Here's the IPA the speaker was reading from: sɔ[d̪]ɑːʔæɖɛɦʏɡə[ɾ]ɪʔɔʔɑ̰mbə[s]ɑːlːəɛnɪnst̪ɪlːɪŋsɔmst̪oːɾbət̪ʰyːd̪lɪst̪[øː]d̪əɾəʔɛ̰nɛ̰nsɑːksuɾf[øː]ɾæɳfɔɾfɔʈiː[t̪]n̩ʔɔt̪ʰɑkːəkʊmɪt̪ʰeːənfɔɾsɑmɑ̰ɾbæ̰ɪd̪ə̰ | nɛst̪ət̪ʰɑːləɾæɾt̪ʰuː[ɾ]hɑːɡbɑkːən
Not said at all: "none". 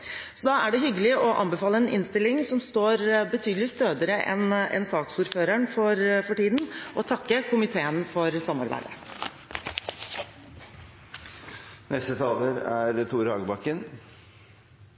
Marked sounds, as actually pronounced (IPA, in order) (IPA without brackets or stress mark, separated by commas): d̪, l, f, øː, øː, d̪, ɾ